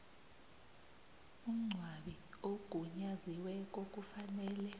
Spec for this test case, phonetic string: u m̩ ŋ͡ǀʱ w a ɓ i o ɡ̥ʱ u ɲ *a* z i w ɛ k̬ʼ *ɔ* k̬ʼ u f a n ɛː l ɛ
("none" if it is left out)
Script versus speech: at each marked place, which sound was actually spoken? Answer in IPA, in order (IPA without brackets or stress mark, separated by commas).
a, o